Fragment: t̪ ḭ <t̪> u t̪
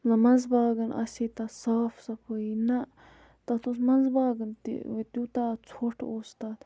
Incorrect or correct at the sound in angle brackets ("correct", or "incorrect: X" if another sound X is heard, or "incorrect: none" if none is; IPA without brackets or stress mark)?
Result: correct